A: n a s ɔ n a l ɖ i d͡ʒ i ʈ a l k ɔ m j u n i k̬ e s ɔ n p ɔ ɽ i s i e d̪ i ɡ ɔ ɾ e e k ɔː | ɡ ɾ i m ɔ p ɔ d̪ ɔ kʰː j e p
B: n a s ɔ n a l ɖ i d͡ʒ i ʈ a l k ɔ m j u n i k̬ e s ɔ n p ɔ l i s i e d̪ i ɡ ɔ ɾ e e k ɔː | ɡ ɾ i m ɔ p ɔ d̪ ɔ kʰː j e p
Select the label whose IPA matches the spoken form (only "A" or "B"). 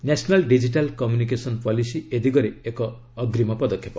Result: B